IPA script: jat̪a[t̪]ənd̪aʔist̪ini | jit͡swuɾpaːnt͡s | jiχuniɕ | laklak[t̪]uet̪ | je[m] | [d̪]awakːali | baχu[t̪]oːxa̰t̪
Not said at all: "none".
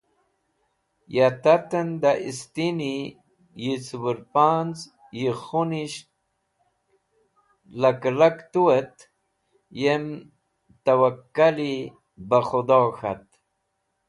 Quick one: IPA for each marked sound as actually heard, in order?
t̪, t̪, m, t̪, d̪

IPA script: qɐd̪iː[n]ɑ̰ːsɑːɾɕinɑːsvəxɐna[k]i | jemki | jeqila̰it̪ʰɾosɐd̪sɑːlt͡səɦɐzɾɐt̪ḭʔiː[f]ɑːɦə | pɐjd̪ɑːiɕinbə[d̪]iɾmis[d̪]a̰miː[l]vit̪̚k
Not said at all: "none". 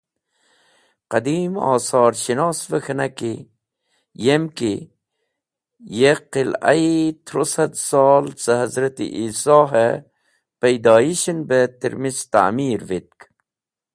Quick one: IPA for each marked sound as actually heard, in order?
m, k, s, t̪, t̪, ɾ

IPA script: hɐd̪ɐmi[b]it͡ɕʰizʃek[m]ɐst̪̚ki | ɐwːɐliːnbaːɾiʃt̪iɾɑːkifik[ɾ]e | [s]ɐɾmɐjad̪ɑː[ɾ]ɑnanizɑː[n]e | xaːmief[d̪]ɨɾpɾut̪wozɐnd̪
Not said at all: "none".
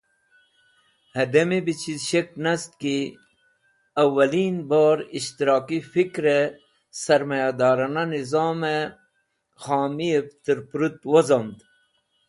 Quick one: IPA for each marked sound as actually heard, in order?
b, n, ɾ, s, ɾ, m, t̪

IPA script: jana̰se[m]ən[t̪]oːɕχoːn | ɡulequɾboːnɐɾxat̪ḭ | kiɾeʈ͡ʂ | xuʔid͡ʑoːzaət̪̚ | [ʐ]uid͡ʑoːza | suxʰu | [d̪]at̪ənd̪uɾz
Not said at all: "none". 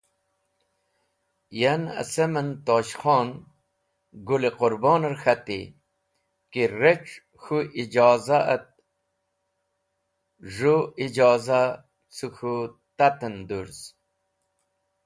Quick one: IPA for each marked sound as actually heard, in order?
m, t̪, ʐ, t̪

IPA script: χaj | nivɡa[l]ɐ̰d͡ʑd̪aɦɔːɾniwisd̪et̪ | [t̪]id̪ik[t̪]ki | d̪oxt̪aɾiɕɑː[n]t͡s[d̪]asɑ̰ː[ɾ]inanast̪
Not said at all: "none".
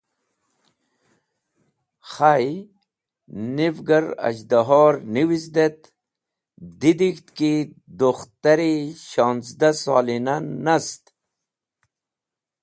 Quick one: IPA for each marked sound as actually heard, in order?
ɾ, d̪, t̪, n, d̪, l

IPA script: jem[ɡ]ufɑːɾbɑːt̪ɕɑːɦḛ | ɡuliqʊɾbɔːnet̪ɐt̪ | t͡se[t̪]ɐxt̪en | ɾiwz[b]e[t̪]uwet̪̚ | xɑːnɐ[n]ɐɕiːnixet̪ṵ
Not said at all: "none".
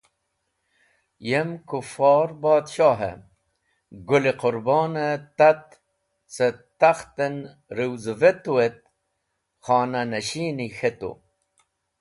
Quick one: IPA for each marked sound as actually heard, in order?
k, t̪, v, t̪, n

